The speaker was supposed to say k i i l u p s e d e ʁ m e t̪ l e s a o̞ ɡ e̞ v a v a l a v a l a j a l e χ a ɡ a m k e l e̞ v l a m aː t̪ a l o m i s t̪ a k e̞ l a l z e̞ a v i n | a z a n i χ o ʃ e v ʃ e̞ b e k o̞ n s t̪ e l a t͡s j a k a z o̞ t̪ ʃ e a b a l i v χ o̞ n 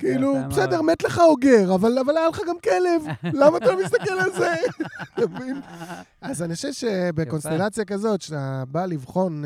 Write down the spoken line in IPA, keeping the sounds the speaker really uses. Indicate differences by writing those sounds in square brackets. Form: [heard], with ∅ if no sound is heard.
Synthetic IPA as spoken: k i i l u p s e d e ʁ m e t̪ l e [χ] a o̞ ɡ e̞ [ʁ] a v a l a v a l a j a l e χ a ɡ a m k e l e̞ v l a m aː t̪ a l o m i s t̪ a k e̞ l a l z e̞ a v i n | a z a n i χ o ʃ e v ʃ e̞ b e k o̞ n s t̪ e l a t͡s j a k a z o̞ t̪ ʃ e a b a l i v χ o̞ n